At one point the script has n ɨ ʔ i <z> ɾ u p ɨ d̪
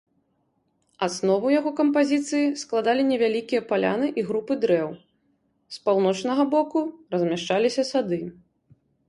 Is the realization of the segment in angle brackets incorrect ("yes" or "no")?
yes